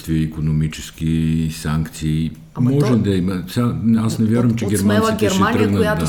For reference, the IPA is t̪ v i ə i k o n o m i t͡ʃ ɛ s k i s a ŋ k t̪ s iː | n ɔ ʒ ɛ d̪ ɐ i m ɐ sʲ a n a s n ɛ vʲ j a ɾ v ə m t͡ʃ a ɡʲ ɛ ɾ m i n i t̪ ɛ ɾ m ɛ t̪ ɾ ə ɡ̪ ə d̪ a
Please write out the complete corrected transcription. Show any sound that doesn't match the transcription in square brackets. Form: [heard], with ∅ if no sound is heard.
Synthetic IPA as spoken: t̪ v i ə i k o n o m i t͡ʃ ɛ s k i s a ŋ k t̪ s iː | [m] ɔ ʒ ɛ d̪ ɐ i m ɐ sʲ a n a s n ɛ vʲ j a ɾ v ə m t͡ʃ [ɛ] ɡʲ ɛ ɾ m [a] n i t̪ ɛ ɾ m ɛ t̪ ɾ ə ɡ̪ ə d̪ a